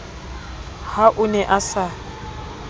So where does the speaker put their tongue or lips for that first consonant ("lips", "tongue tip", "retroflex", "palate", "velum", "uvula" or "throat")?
throat